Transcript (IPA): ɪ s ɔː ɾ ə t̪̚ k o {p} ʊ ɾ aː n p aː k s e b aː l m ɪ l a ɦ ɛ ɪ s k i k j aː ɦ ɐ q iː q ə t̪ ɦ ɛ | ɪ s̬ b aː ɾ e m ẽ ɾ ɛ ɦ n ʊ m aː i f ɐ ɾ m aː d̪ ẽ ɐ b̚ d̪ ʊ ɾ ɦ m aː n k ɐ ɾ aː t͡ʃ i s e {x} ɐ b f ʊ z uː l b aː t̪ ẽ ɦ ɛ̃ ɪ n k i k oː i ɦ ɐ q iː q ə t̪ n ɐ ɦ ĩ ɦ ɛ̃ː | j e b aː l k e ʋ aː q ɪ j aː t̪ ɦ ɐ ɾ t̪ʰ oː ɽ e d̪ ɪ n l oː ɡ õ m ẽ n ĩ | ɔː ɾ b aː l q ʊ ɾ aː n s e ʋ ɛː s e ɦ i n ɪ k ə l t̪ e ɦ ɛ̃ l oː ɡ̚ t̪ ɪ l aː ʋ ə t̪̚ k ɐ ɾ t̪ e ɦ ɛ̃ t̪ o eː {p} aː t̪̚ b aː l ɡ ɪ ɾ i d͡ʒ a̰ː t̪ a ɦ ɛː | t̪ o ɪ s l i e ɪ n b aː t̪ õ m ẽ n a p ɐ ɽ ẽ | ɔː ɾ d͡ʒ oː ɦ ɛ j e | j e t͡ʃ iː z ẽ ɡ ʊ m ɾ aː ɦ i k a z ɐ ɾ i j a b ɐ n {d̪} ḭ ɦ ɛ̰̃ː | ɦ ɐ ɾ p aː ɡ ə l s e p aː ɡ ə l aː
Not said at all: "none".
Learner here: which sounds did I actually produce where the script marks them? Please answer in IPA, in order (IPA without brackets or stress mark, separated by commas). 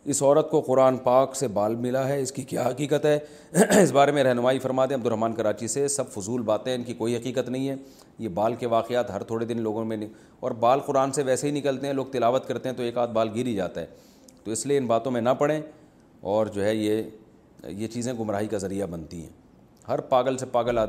q, s, k, t̪